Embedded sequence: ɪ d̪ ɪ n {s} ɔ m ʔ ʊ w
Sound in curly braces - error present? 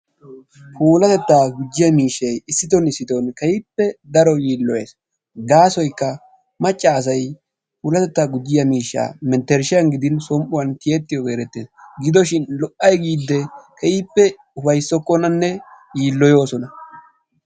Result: no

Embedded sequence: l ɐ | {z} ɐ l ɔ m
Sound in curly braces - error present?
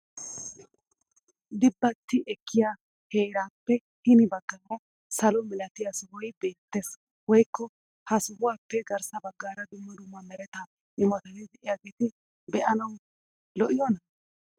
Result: yes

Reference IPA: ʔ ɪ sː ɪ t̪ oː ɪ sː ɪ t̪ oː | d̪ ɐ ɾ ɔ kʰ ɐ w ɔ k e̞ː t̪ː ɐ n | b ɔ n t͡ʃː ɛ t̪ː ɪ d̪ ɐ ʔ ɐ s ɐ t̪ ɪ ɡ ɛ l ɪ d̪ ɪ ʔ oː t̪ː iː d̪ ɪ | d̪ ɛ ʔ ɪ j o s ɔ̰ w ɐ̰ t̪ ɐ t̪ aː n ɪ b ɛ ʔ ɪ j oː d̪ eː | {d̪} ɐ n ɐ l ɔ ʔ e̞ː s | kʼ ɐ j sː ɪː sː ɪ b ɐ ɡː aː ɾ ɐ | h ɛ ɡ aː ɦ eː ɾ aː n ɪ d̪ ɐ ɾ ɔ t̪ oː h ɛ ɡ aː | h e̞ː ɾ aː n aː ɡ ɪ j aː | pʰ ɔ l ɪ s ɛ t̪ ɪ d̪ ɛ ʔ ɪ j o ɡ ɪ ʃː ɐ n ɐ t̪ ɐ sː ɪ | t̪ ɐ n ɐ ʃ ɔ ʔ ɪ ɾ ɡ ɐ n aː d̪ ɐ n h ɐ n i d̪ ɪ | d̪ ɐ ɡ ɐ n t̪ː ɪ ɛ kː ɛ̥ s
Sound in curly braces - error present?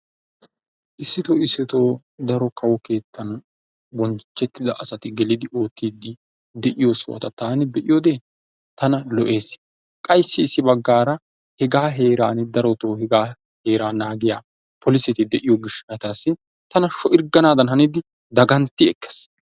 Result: yes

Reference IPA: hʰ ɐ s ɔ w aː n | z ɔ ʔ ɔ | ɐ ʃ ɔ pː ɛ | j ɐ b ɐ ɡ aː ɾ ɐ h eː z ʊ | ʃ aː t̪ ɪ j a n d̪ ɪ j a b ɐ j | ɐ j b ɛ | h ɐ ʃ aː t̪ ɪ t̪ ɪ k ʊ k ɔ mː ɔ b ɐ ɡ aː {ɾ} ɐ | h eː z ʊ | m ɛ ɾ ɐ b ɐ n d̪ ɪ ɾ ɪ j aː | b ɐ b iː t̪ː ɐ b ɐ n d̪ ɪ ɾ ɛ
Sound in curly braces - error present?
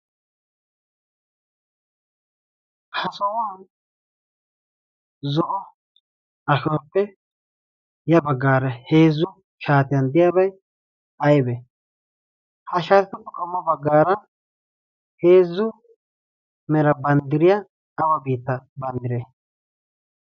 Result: no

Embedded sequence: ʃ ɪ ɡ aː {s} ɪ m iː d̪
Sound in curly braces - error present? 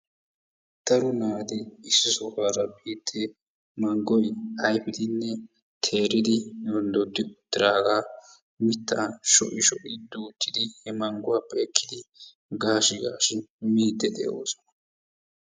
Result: yes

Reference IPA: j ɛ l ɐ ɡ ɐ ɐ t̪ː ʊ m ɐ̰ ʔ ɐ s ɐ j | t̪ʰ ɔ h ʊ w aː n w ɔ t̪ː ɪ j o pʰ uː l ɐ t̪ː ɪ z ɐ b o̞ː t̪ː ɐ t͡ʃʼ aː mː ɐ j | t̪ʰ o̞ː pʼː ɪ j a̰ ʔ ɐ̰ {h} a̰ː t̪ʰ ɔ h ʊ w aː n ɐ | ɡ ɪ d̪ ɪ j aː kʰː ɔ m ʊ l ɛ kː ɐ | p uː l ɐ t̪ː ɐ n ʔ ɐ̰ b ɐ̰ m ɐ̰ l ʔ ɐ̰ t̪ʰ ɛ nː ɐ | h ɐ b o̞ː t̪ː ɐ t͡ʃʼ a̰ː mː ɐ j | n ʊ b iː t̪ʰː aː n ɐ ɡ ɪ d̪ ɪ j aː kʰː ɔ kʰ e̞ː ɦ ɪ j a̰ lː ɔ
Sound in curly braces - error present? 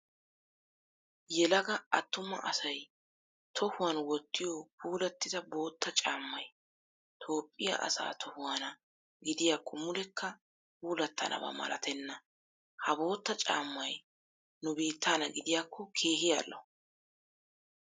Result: yes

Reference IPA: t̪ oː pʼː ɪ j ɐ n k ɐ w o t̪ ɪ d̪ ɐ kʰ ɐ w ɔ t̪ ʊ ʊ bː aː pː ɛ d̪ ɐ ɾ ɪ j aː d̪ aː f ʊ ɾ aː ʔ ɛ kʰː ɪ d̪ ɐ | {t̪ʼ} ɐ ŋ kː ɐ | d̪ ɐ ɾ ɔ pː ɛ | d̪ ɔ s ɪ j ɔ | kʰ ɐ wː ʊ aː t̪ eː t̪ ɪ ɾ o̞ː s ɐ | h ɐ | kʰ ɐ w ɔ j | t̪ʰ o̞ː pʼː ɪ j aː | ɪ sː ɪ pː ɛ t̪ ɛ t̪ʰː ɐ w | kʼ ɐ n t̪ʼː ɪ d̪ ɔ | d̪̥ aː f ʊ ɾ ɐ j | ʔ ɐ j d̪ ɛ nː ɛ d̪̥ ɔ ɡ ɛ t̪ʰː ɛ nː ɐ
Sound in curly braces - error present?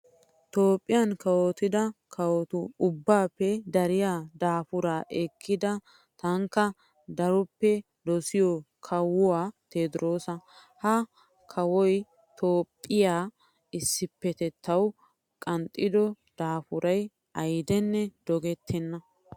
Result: yes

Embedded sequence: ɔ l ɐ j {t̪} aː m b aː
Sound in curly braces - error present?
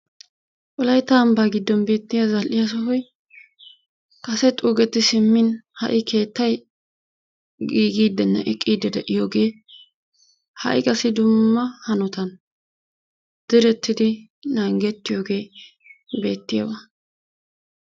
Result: no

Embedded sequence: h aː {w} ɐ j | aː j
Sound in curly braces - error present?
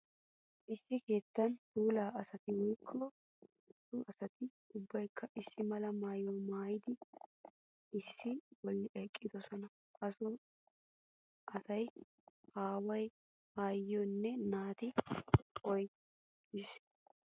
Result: no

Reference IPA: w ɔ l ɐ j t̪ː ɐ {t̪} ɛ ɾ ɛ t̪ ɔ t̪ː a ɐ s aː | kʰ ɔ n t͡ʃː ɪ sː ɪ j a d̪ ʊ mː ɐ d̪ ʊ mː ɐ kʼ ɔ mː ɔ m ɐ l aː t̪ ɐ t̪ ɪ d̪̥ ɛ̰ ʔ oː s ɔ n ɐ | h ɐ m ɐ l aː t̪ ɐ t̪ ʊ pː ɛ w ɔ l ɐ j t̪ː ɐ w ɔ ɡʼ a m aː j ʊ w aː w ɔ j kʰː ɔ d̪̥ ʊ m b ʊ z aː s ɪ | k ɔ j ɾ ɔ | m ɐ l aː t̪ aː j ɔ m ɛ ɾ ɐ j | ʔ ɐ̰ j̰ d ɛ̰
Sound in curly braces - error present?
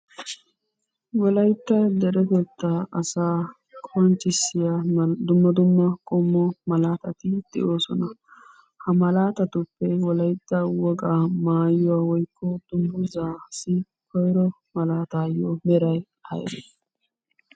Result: yes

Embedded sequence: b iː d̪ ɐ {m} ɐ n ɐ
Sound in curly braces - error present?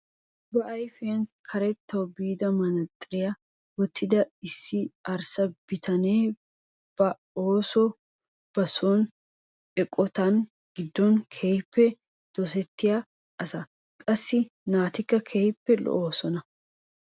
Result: no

